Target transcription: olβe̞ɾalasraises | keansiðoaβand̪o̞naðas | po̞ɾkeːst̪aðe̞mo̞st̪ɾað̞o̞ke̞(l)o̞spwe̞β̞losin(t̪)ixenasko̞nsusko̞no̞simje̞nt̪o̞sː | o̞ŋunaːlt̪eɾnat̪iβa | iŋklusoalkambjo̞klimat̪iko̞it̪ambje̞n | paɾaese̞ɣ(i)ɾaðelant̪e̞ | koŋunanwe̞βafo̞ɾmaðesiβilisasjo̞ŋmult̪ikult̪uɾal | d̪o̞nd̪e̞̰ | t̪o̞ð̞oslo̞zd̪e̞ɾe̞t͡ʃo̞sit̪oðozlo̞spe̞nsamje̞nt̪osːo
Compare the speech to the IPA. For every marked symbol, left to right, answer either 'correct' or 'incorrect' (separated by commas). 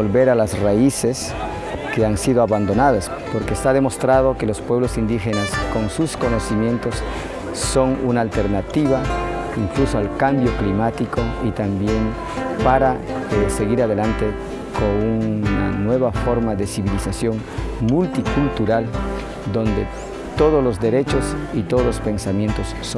correct, incorrect, correct